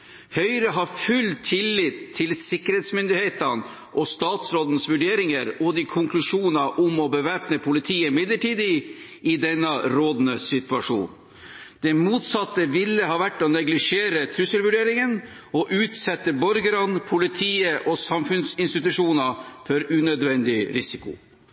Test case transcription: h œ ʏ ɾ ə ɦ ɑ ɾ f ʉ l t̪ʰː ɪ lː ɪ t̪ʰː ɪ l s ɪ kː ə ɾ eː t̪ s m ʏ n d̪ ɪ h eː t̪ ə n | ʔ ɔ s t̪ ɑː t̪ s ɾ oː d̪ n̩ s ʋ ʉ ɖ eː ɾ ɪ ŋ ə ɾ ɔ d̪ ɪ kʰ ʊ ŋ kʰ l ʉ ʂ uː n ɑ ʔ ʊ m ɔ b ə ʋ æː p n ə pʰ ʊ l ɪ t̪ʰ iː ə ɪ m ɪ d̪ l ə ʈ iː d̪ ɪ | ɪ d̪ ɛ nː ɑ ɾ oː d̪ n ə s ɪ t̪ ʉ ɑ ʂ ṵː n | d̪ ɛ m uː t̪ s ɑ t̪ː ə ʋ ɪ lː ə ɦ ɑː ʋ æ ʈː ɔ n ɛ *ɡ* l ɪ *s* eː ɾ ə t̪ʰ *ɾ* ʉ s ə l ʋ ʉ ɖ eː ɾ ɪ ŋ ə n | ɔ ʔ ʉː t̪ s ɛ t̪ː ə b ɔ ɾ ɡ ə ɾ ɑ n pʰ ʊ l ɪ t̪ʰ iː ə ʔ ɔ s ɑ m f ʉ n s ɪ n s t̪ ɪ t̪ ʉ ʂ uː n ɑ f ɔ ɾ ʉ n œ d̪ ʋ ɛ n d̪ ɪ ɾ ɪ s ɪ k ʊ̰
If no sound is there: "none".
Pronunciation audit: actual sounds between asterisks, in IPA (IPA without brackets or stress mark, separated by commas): ɡ, ʂ, ɾ